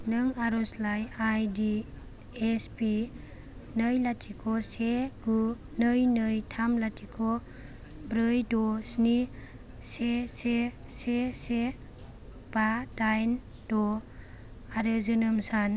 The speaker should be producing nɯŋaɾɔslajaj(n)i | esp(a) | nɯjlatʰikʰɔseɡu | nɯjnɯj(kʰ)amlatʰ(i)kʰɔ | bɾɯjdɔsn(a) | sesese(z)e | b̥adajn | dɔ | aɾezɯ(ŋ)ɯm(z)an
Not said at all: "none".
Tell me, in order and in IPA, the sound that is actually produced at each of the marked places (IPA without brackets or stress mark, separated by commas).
d, i, tʰ, i, i, s, n, s